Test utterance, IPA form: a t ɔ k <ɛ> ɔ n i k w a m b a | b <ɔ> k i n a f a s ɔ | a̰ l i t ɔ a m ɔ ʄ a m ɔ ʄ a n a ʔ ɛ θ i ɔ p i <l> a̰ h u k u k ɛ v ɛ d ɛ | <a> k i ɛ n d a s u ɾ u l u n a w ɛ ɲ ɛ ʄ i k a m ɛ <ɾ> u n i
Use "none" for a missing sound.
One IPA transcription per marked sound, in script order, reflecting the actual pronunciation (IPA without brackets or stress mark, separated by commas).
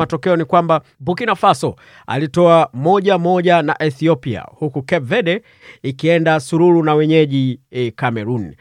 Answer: ɛ, u, none, i, ɾ